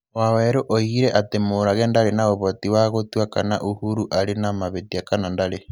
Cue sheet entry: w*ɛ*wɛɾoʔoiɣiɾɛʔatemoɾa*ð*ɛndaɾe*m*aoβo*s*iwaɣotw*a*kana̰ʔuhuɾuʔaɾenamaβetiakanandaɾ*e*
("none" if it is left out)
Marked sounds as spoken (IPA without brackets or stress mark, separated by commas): a, ɣ, n, t, a, e